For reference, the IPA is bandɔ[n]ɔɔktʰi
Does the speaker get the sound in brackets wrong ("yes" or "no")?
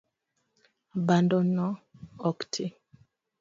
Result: no